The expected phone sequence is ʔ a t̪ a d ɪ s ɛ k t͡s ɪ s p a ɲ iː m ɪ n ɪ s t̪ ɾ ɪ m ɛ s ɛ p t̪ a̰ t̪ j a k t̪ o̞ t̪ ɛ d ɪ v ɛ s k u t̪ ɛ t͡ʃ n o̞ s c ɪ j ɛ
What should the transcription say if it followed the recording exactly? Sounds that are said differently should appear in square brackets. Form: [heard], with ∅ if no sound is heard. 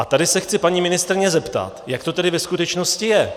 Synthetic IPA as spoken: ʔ a t̪ a d ɪ s ɛ [x] t͡s ɪ [∅] p a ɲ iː m ɪ n ɪ s t̪ ɾ ɪ [ɲ] ɛ [z] ɛ p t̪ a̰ t̪ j a k t̪ o̞ t̪ ɛ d ɪ v ɛ s k u t̪ ɛ t͡ʃ n o̞ s c ɪ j ɛ

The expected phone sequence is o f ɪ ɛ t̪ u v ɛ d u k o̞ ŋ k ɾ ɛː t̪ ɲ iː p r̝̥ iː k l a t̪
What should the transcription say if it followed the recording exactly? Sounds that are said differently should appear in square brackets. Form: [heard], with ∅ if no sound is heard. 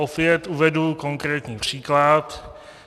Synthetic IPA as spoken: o f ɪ ɛ t̪ u v ɛ d u k o̞ ŋ k ɾ ɛː t̪ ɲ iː p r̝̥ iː k l a t̪

